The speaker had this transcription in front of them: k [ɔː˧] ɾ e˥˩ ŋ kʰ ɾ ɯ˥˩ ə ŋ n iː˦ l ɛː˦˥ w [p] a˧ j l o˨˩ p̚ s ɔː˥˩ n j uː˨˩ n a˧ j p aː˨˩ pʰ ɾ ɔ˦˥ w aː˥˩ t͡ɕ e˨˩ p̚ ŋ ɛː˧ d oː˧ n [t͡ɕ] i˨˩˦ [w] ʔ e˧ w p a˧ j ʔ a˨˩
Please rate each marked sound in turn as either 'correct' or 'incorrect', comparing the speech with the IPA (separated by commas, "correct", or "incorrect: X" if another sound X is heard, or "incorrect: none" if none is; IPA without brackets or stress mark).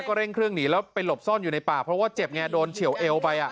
incorrect: ɔː˥˩, correct, incorrect: t͡ɕʰ, correct